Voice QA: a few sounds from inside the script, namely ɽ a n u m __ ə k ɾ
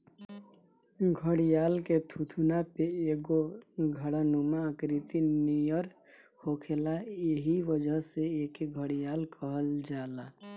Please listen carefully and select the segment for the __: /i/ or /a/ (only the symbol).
a